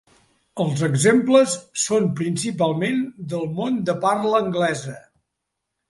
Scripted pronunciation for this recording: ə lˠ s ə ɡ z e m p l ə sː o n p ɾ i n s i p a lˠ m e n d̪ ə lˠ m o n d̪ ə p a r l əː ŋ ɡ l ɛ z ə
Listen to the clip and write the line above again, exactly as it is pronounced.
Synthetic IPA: ə lˠ z ə ɡ z e m p l ə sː o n p ɾ i n s i p a lˠ m e n d̪ ə lˠ m o n d̪ ə p a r l əː ŋ ɡ l ɛ z ə